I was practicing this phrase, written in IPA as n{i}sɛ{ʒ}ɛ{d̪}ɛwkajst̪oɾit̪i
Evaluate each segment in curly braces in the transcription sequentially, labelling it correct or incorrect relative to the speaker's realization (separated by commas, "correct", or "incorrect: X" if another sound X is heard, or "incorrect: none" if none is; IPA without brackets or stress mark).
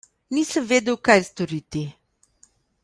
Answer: correct, incorrect: v, correct